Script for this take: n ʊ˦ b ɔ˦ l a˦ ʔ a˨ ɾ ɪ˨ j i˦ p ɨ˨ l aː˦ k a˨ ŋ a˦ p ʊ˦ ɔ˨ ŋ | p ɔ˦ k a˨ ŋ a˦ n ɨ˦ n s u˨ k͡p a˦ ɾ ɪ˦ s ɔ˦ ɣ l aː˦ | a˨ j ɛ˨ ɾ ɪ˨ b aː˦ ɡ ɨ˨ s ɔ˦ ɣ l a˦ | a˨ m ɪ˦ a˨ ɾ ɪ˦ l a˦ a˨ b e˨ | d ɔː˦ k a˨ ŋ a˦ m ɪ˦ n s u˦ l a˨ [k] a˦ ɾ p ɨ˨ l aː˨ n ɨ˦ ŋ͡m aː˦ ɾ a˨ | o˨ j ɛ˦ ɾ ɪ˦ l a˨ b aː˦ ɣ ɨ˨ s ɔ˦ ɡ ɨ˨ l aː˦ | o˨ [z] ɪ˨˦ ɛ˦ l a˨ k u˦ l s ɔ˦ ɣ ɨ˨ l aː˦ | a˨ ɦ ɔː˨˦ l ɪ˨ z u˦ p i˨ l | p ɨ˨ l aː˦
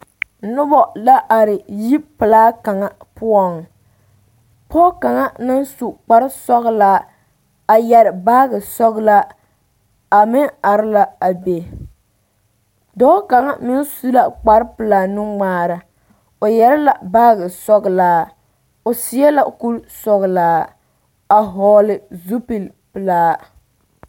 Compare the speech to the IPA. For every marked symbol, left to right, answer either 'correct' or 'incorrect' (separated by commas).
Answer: incorrect, incorrect